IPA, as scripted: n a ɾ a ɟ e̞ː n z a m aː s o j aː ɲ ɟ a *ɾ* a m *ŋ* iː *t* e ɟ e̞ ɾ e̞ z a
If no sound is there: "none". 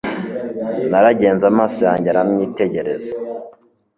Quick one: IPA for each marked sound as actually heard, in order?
ɾ, ɲ, t

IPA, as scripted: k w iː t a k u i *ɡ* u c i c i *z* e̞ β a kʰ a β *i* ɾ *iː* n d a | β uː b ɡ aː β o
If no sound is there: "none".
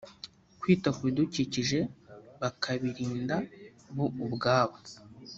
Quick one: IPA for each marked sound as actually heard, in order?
d, ʒ, i, iː

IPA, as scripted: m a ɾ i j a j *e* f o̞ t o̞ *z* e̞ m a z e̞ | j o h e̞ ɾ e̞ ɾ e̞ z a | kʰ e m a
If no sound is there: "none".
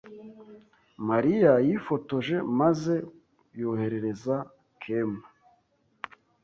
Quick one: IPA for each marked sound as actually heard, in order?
i, ʒ

